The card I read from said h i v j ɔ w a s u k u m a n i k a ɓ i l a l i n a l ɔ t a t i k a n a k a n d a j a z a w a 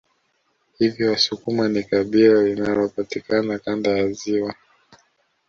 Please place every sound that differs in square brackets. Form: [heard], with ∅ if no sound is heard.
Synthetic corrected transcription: h i v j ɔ w a s u k u m a n i k a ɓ i l a l i n a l ɔ [p] a t i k a n a k a n d a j a z [i] w a